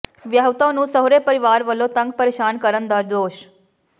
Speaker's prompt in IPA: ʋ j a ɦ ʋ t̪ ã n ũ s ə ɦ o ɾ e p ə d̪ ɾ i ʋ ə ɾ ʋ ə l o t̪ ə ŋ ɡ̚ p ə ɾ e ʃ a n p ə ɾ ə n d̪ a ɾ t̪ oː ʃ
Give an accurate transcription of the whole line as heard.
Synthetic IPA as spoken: ʋ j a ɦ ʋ t̪ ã n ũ s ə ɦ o ɾ e p ə ɾ i ʋ a ɾ ʋ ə l o t̪ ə ŋ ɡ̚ p ə ɾ e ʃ a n k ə ɾ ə n d̪ a ɾ d̪ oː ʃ